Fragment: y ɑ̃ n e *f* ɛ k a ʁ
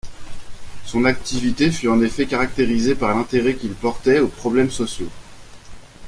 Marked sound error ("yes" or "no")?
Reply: no